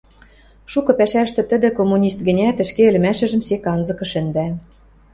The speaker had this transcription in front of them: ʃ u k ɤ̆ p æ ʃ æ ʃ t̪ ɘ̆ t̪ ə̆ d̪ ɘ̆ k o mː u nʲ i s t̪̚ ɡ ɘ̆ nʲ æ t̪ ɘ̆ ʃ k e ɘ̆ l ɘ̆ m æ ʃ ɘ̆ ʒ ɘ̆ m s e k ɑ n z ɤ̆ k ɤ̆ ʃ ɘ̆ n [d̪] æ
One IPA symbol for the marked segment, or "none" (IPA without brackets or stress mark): d̪